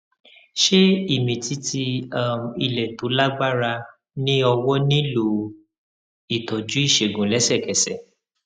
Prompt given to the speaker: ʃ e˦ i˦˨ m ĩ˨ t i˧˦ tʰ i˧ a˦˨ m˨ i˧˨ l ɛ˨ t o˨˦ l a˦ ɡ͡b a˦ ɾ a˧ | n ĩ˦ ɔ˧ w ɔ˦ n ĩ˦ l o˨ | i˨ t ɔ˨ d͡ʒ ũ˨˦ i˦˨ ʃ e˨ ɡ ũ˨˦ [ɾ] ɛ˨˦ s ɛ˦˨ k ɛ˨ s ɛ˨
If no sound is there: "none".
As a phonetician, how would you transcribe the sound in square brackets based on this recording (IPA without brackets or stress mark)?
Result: l